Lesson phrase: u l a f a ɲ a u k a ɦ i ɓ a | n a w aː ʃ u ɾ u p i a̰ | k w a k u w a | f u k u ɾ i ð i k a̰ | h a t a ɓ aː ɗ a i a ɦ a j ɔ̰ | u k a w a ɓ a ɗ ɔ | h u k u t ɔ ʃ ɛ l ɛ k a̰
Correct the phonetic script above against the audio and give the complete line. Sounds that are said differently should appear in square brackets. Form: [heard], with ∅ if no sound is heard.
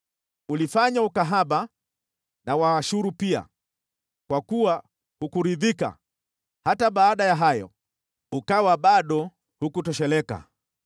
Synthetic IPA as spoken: u l [i] f a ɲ a u k a ɦ [a] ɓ a | n a w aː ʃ u ɾ u p i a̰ | k w a k u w a | [h] u k u ɾ i ð i k a̰ | h a t a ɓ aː ɗ a [j] a ɦ a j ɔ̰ | u k a w a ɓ a ɗ ɔ | h u k u t ɔ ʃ ɛ l ɛ k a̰